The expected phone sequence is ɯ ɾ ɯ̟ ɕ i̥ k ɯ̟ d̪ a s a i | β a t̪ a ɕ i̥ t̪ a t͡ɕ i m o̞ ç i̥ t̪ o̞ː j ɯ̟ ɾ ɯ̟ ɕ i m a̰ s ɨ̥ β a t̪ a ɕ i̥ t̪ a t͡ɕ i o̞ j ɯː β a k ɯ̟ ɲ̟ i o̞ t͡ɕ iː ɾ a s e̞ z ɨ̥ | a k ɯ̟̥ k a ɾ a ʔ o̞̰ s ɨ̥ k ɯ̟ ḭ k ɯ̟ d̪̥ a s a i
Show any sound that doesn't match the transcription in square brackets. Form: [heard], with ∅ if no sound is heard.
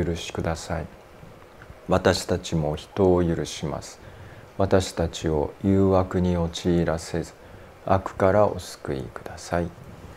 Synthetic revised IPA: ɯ ɾ ɯ̟ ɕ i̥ k ɯ̟ d̪ a s a i | β a t̪ a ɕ i̥ t̪ a t͡ɕ i m o̞ ç i̥ t̪ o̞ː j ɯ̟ ɾ ɯ̟ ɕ i m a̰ s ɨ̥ β a t̪ a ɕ i̥ t̪ a t͡ɕ i o̞ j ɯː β a k ɯ̟ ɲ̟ i o̞ t͡ɕ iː ɾ a s e̞ z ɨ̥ | a k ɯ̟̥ k a ɾ a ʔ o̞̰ s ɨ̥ k ɯ̟ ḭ k ɯ̟ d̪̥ a s a i

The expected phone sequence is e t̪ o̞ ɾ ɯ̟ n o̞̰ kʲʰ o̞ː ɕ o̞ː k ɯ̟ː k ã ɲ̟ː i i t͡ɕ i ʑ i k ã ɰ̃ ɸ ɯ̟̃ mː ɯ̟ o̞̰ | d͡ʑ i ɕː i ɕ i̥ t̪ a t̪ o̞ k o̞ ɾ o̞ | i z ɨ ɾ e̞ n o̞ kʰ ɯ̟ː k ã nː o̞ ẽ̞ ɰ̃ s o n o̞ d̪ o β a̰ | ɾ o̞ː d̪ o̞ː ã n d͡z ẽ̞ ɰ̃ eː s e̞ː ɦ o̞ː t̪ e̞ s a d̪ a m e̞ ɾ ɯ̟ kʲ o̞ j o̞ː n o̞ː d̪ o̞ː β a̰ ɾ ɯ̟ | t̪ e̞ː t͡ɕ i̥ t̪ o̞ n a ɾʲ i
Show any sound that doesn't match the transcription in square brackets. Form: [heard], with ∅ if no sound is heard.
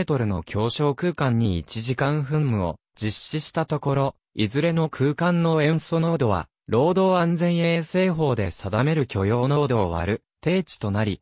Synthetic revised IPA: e t̪ o̞ ɾ ɯ̟ n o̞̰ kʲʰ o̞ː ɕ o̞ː k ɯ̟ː k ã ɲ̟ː i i t͡ɕ i ʑ i k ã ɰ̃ ɸ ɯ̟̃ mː ɯ̟ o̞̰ | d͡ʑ i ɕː i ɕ i̥ t̪ a t̪ o̞ k o̞ ɾ o̞ | i z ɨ ɾ e̞ n o̞ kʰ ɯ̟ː k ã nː o̞ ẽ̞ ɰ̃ s o n o̞ d̪ o β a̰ | ɾ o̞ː d̪ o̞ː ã n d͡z ẽ̞ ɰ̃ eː s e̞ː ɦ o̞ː [d̪] e̞ s a d̪ a m e̞ ɾ ɯ̟ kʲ o̞ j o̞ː n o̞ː d̪ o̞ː β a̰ ɾ ɯ̟ | t̪ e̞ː t͡ɕ i̥ t̪ o̞ n a ɾʲ i

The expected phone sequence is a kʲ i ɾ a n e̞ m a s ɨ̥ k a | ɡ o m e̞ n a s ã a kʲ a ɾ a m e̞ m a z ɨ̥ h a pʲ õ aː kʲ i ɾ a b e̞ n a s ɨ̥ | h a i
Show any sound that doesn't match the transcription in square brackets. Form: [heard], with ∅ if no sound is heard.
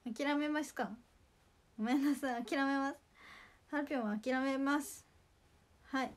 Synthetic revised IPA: a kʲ i ɾ a [m] e̞ m a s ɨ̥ k a | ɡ o m e̞ n a s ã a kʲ [i] ɾ a m e̞ m a [s] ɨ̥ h a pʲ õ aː kʲ i ɾ a [m] e̞ [m] a s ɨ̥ | h a i

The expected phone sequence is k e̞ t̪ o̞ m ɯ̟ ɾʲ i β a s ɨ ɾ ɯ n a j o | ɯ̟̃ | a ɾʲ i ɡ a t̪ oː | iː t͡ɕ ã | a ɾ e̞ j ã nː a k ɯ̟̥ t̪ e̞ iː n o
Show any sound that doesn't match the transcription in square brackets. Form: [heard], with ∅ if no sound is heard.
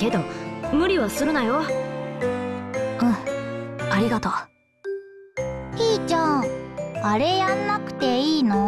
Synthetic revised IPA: k e̞ [d̪] o̞ m ɯ̟ ɾʲ i β a s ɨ ɾ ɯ n a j o | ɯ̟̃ | a ɾʲ i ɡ a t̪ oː | iː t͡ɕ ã | a ɾ e̞ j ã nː a k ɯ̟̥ t̪ e̞ iː n o

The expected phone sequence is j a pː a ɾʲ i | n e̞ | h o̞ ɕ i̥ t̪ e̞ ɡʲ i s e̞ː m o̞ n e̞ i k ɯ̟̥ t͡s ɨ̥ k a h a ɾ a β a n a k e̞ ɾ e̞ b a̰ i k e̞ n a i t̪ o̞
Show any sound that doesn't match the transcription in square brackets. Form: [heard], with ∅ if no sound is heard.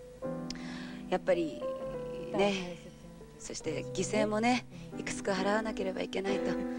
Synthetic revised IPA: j a pː a ɾʲ i | n e̞ | [s] o̞ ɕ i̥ t̪ e̞ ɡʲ i s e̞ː m o̞ n e̞ i k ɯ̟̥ t͡s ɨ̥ k a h a ɾ a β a n a k e̞ ɾ e̞ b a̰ i k e̞ n a i t̪ o̞

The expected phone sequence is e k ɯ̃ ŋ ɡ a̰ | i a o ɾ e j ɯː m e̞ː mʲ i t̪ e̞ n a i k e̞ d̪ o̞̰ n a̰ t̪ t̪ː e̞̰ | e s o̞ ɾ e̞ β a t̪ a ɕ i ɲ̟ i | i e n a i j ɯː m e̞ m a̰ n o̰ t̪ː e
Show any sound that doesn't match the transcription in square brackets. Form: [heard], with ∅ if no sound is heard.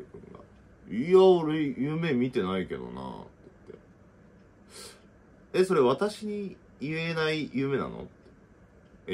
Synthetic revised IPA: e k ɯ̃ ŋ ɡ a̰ | i a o ɾ e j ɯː m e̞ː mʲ i t̪ e̞ n a i k e̞ d̪ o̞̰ n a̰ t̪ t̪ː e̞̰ | e s o̞ ɾ e̞ β a t̪ a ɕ i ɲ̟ i | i e n a i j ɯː m e̞ [n] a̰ n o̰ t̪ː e

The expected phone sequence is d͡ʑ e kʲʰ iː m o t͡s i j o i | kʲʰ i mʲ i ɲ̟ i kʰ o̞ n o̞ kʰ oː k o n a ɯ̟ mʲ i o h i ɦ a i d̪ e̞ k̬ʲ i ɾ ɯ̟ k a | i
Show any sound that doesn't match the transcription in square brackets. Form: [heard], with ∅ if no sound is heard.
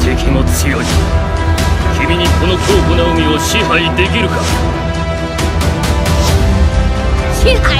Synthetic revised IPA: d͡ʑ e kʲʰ [i] m o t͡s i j o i | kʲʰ i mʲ i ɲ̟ i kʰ o̞ n o̞ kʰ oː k o n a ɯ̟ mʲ i o [ɕ] i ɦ a i d̪ e̞ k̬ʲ i ɾ ɯ̟ k a | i

